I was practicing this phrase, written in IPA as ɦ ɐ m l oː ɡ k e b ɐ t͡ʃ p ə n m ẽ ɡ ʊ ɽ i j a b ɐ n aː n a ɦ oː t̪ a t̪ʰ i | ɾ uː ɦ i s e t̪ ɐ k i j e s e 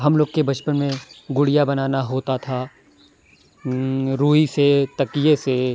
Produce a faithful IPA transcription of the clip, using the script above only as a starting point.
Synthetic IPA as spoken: ɦ ɐ m l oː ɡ k e b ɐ t͡ʃ p ə n m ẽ ɡ ʊ ɽ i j a b ɐ n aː n a ɦ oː t̪ a t̪ʰ a | ɾ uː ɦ i s e t̪ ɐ k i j e s e